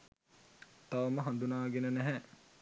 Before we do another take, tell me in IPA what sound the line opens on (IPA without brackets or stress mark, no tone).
t̪